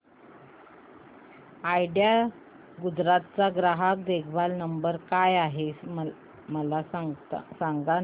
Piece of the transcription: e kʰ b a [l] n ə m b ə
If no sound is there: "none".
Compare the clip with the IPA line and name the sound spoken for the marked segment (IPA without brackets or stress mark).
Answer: l